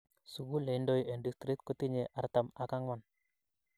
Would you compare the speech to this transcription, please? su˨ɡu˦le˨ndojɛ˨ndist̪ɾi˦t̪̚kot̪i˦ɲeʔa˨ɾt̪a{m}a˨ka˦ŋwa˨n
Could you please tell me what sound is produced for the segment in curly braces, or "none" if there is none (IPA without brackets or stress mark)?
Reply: m